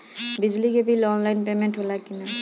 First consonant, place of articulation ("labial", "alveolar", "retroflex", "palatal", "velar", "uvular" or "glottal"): labial